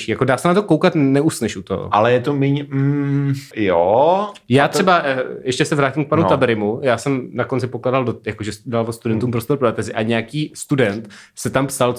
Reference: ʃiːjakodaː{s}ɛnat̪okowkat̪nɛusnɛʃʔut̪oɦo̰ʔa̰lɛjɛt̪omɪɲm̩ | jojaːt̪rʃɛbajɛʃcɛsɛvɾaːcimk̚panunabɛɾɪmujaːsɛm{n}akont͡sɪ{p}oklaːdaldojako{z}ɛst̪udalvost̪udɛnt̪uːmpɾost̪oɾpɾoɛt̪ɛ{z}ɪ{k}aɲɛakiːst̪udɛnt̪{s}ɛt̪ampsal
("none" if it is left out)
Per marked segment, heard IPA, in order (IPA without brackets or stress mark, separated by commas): s, n, p, ʒ, z, ʔ, s